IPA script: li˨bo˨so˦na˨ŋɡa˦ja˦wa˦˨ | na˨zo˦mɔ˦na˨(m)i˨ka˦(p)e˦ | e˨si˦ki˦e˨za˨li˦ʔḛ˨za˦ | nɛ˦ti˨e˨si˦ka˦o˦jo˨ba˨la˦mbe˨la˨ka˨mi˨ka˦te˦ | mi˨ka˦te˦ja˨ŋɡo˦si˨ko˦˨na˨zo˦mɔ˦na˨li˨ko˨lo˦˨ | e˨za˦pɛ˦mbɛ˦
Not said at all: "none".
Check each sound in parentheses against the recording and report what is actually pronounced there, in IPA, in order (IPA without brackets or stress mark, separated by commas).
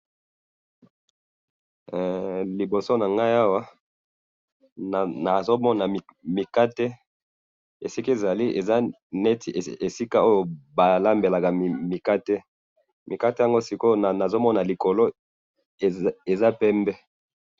m, t